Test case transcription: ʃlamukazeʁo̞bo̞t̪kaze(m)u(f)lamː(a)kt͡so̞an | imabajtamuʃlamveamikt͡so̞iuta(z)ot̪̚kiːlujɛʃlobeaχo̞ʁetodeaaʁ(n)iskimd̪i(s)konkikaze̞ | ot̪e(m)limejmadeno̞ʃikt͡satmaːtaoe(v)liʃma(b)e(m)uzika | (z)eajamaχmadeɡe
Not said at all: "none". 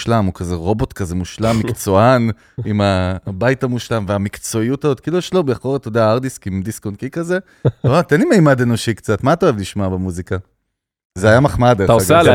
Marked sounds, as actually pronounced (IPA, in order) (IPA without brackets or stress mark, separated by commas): m, ʃ, i, z, d, s, n, v, b, m, z